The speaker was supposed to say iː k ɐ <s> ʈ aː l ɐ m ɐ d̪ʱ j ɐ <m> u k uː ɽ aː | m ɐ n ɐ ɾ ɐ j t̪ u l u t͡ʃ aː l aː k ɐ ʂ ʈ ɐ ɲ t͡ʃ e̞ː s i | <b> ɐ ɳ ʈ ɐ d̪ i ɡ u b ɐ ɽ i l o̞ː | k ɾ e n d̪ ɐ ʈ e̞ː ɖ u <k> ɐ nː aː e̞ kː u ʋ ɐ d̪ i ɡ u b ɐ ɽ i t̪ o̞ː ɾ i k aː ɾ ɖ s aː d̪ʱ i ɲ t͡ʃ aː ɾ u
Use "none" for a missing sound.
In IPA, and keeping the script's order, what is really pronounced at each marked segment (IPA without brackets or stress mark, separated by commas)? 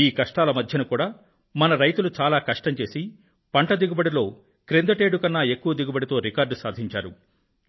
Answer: ʂ, n, p, k